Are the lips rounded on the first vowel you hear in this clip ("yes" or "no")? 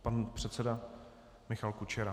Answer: no